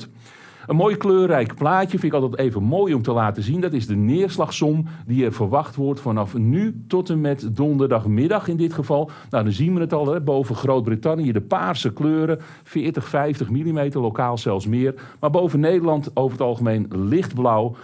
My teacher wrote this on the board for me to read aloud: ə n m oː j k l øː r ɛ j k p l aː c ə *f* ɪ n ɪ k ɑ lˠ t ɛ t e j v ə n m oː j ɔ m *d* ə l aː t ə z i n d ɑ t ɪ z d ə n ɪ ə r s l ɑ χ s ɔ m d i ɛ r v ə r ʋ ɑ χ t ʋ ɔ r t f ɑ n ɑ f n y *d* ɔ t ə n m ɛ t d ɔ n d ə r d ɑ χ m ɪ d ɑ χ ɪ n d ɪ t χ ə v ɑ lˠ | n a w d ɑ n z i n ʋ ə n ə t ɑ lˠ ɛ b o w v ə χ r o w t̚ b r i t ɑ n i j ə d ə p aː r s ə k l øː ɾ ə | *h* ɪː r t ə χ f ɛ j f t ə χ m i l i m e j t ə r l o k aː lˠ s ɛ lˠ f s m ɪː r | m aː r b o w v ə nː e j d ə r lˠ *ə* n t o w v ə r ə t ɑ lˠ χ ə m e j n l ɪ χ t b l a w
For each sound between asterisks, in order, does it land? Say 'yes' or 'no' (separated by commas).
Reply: yes, no, no, no, no